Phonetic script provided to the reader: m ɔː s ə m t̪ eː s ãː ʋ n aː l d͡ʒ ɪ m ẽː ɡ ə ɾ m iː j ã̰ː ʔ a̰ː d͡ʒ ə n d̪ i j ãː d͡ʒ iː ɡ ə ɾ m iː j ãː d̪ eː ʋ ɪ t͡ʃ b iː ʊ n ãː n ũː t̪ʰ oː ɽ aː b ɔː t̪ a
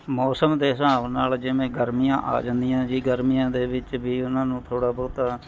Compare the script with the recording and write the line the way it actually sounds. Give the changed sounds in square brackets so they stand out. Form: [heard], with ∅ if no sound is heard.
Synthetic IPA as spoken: m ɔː s ə m [d̪] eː s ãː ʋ n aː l d͡ʒ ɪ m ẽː ɡ ə ɾ m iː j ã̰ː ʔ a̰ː d͡ʒ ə n d̪ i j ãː d͡ʒ iː ɡ ə ɾ m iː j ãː d̪ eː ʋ ɪ t͡ʃ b iː ʊ n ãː n ũː t̪ʰ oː ɽ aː b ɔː t̪ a